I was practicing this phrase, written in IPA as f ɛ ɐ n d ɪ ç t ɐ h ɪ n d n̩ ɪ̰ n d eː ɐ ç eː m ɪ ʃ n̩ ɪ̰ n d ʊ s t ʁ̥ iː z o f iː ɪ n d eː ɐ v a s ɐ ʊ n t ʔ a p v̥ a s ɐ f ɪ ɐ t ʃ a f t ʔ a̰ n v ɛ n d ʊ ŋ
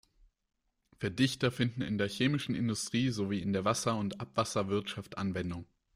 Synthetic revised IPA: f ɛ ɐ d ɪ ç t ɐ f ɪ n d n̩ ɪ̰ n d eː ɐ ç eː m ɪ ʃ n̩ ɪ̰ n d ʊ s t ʁ̥ iː z o v iː ɪ n d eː ɐ v a s ɐ ʊ n t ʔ a p v̥ a s ɐ v ɪ ɐ t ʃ a f t ʔ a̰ n v ɛ n d ʊ ŋ